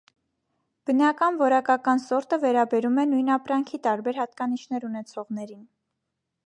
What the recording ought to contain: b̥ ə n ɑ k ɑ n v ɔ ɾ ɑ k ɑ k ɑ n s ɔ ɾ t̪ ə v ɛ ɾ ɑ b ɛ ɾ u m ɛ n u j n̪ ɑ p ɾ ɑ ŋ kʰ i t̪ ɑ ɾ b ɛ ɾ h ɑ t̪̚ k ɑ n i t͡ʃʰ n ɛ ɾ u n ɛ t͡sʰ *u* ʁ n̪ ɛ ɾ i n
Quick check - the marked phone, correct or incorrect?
incorrect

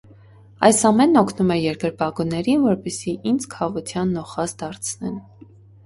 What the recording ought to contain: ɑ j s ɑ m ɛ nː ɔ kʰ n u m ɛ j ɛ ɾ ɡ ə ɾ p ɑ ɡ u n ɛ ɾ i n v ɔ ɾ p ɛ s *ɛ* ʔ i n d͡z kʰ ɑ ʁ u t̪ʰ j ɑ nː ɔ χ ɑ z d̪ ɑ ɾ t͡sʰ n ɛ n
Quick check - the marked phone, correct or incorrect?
incorrect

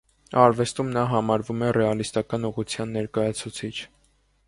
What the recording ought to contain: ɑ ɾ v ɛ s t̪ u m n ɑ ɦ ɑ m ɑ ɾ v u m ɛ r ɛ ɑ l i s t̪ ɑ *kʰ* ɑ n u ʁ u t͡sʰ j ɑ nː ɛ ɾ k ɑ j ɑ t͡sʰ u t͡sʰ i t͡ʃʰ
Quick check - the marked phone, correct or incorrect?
incorrect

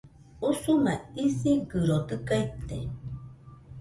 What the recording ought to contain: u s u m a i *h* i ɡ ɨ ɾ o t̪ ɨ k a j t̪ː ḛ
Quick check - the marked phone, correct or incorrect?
incorrect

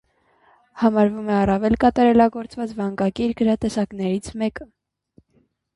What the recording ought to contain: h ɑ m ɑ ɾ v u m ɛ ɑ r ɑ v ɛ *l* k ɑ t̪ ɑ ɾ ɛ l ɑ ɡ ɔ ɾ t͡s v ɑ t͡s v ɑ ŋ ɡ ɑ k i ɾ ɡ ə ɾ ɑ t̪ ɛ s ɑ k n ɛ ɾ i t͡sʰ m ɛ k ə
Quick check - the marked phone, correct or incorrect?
correct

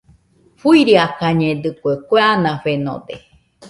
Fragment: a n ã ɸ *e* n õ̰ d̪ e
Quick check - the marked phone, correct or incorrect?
correct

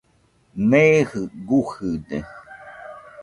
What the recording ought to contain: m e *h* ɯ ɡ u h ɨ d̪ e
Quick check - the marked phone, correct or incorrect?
correct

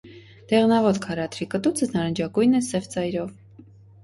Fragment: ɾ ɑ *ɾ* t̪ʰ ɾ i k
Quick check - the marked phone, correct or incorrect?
incorrect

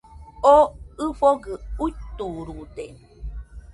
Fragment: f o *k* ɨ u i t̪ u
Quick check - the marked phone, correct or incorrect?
incorrect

